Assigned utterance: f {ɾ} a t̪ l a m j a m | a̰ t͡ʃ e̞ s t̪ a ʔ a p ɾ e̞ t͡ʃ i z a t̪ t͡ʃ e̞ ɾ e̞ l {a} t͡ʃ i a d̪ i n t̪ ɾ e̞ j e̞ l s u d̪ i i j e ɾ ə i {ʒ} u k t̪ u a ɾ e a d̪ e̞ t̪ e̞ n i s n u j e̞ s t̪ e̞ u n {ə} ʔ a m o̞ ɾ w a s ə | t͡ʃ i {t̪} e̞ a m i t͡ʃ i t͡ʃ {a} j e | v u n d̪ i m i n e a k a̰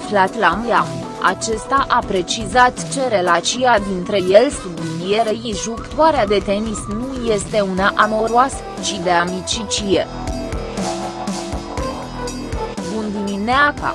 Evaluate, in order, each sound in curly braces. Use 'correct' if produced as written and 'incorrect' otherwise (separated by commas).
incorrect, correct, correct, incorrect, incorrect, incorrect